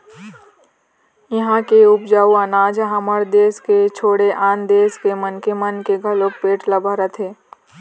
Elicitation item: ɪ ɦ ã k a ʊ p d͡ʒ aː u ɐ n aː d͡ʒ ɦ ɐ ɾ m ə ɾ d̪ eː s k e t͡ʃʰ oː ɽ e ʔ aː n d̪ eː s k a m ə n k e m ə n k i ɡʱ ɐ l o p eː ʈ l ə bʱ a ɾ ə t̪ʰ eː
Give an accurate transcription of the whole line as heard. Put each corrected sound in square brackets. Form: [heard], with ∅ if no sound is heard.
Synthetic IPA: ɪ ɦ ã k [e] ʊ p d͡ʒ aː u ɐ n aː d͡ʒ ɦ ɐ [∅] m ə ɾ d̪ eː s k e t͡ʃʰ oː ɽ e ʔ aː n d̪ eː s k [e] m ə n k e m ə n k [e] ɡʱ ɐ l o p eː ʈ l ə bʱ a ɾ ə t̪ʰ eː